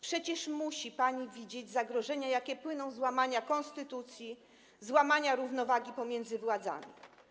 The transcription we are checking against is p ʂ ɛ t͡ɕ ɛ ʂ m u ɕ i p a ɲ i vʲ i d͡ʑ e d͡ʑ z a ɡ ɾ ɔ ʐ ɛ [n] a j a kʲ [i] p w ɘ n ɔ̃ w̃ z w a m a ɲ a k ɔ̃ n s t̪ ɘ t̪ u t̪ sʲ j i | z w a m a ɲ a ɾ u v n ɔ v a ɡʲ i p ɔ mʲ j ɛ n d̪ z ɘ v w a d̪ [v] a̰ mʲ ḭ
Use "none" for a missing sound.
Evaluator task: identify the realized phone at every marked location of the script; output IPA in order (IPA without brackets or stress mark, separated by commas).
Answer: ɲ, ɛ, z